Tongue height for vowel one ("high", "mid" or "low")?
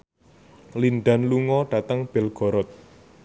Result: high